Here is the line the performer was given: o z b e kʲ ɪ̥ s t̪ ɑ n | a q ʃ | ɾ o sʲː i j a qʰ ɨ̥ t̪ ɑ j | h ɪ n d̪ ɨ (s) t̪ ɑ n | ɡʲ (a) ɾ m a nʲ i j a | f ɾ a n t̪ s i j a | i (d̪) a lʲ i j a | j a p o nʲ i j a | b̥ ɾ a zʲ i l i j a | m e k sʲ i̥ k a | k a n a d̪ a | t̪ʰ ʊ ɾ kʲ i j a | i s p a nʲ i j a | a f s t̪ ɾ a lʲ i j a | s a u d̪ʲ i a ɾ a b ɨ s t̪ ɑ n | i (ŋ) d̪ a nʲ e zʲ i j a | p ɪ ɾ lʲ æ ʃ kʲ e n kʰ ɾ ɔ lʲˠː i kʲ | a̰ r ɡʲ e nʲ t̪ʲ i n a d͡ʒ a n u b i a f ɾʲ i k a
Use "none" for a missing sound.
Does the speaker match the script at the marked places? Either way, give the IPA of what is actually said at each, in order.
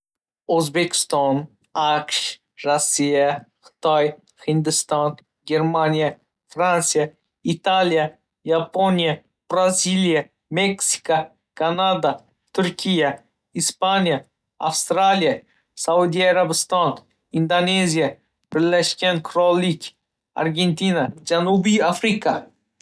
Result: s, e, t̪, n

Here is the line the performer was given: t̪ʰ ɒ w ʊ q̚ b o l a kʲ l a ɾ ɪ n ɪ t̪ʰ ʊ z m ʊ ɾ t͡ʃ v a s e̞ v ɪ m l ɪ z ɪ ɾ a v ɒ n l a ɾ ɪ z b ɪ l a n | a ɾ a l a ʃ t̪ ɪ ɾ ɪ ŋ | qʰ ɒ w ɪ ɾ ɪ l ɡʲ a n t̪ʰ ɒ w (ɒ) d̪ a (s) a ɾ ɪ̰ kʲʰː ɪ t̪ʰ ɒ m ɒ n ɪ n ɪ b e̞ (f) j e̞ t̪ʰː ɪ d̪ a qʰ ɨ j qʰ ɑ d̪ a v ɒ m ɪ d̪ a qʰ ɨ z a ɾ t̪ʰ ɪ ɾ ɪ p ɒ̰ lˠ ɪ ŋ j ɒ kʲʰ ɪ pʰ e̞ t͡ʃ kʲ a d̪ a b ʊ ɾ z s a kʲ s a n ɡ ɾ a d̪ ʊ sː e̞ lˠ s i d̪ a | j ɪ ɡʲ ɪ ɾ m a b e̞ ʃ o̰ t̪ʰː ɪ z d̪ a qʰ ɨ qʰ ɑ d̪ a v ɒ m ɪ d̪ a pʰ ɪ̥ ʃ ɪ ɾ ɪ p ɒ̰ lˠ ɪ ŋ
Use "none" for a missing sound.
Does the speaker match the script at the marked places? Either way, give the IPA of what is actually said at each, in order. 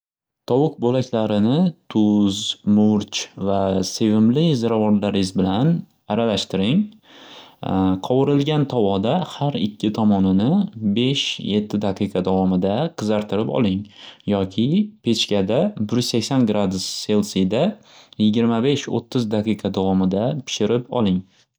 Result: ɒ, h, ʃ

